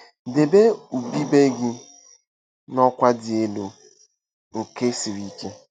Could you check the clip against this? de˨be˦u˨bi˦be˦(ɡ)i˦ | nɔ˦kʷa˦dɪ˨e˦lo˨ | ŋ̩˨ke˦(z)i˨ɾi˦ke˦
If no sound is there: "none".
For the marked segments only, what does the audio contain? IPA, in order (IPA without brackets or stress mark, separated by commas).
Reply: ɡ, s